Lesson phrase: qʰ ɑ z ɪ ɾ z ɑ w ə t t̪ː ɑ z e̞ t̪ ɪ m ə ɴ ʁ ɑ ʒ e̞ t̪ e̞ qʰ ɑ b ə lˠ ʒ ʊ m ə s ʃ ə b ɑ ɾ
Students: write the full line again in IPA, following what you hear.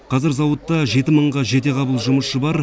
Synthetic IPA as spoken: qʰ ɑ z ɪ ɾ z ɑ w ə t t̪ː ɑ ʒ e̞ t̪ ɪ m ə ɴ ʁ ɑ ʒ e̞ t̪ e̞ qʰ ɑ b ə lˠ ʒ ʊ m ə s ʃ ə b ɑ ɾ